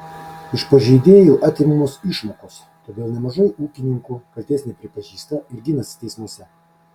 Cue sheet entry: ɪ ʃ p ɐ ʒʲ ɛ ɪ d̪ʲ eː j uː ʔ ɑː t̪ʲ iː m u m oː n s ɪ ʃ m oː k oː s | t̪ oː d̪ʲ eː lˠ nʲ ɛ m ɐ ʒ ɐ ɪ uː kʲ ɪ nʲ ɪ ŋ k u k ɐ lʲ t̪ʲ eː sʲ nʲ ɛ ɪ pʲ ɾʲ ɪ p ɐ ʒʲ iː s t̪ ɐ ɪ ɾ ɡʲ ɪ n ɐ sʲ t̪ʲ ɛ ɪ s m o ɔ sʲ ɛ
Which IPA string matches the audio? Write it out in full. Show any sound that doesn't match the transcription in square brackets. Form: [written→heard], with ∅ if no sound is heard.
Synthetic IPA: ɪ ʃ p ɐ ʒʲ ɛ ɪ d̪ʲ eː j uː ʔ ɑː t̪ʲ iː m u m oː [n→∅] s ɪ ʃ m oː k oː s | t̪ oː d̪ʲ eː lˠ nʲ ɛ m ɐ ʒ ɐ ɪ uː kʲ ɪ nʲ ɪ ŋ k u k ɐ lʲ t̪ʲ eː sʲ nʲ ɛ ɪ pʲ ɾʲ ɪ p ɐ ʒʲ iː s t̪ ɐ ɪ ɾ ɡʲ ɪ n ɐ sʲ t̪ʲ ɛ ɪ s m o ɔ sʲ ɛ